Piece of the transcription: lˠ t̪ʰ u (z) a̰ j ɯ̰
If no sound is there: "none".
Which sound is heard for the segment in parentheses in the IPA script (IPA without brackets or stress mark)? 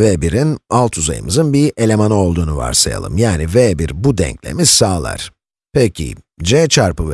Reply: z